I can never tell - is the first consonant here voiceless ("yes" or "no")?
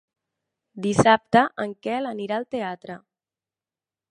no